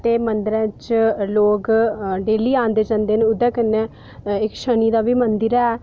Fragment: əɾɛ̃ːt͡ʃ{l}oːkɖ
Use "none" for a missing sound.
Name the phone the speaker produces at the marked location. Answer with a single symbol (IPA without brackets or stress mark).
l